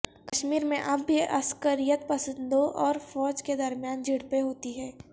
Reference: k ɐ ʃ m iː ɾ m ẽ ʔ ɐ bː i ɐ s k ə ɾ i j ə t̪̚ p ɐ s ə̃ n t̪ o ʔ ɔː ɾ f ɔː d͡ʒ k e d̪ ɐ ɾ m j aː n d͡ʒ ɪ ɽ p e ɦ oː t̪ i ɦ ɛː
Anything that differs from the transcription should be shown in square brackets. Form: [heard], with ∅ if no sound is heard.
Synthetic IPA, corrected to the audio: k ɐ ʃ m iː ɾ m ẽ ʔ ɐ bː i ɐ s k ə ɾ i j ə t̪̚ p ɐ s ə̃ n [d̪] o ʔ ɔː ɾ f ɔː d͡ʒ k e d̪ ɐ ɾ m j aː n d͡ʒ ɪ ɽ p e ɦ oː t̪ i ɦ ɛː